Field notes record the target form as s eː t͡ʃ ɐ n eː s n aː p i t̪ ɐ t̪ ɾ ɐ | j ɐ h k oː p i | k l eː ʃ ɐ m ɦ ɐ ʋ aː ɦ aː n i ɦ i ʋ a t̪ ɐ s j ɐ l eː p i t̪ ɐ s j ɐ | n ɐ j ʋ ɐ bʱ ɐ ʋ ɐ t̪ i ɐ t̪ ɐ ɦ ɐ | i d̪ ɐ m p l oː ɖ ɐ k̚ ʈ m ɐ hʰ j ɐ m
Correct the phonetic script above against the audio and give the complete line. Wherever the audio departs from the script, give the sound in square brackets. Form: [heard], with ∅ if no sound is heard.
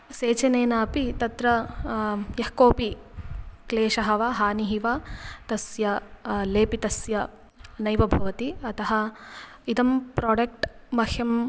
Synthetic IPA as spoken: s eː t͡ʃ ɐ n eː [∅] n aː p i t̪ ɐ t̪ ɾ ɐ | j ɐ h k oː p i | k l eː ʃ ɐ [∅] ɦ ɐ ʋ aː ɦ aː n i ɦ i ʋ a t̪ ɐ s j ɐ l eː p i t̪ ɐ s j ɐ | n ɐ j ʋ ɐ bʱ ɐ ʋ ɐ t̪ i ɐ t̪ ɐ ɦ ɐ | i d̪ ɐ m p [ɾ] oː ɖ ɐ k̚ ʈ m ɐ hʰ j ɐ m